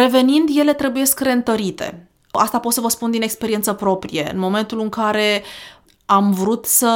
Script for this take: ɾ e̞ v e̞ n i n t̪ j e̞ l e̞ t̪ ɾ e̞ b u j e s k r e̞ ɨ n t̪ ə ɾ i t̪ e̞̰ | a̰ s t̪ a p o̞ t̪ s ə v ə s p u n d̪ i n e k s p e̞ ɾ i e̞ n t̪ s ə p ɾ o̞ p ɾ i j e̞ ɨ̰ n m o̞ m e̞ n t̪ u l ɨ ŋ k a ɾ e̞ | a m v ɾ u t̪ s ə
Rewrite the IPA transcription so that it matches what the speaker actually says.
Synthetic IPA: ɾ e̞ v e̞ n i n d̪ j e̞ l e̞ t̪ ɾ e̞ b u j e s k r e̞ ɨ n t̪ ə ɾ i t̪ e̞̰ | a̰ s t̪ a p o̞ t̪ s ə v ə s p u n d̪ i n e k s p e̞ ɾ i e̞ n t̪ s ə p ɾ o̞ p ɾ i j e̞ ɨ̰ n m o̞ m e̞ n t̪ u l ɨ ŋ k a ɾ e̞ | a m v ɾ u t̪ s ə